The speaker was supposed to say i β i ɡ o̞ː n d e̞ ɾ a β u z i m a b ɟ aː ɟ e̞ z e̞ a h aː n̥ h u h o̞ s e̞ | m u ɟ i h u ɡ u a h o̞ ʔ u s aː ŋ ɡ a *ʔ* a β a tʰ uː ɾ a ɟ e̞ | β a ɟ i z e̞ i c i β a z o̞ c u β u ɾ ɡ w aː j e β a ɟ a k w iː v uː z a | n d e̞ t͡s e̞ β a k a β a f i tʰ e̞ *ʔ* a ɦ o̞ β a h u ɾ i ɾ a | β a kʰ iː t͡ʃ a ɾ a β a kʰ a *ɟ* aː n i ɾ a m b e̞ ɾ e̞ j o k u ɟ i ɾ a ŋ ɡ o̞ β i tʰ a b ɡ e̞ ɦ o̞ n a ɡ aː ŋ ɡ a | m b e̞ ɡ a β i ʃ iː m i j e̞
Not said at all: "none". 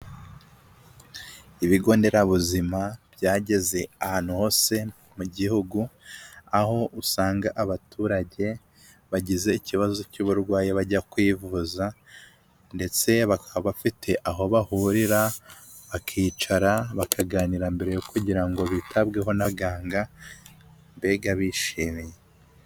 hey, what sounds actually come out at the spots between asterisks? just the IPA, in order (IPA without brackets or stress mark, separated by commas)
ʔ, ʔ, ɡ